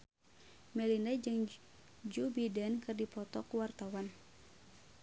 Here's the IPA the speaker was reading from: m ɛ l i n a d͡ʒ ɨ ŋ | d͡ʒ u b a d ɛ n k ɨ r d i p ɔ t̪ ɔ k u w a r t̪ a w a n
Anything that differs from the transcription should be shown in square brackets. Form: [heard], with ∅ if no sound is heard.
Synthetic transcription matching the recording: m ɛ l i n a d͡ʒ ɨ ŋ | d͡ʒ u b [i] d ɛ n k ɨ r d i p ɔ t̪ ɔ k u w a r t̪ a w a n